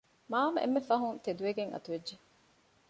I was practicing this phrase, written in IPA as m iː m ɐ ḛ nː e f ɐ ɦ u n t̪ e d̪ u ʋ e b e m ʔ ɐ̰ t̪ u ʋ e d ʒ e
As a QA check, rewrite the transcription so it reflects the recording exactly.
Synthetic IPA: m aː m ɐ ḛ mː e f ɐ ɦ u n t̪ e d̪ u ʋ e ɡ e ŋ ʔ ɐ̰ t̪ u ʋ e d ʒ e